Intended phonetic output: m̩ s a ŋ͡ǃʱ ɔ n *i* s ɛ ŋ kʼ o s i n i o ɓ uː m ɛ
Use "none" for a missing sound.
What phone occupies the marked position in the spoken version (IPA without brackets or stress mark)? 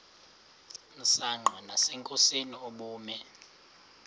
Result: a